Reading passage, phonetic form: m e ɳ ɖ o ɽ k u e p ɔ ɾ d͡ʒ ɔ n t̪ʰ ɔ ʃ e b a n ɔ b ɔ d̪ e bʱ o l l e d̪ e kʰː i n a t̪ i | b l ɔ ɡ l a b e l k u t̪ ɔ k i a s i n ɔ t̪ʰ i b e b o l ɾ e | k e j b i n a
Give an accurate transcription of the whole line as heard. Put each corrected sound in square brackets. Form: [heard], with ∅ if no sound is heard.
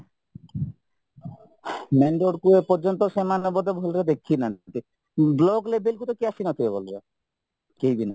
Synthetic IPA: m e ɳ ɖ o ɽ k u e p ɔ ɾ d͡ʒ ɔ n [t̪] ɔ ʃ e [m] a n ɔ b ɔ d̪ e bʱ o l [ɾ] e d̪ e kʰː i n a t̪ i | b l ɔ ɡ l [e] b e l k u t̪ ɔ k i a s i n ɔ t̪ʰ i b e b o l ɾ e | k e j b i n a